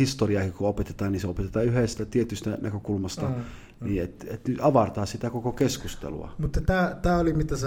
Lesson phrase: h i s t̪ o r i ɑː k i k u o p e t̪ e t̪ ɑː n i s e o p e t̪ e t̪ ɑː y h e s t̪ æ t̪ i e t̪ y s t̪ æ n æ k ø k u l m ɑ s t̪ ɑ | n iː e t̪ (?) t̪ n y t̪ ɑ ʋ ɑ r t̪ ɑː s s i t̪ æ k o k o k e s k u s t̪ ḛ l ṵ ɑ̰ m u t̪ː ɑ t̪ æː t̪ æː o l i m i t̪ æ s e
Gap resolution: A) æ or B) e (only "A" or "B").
B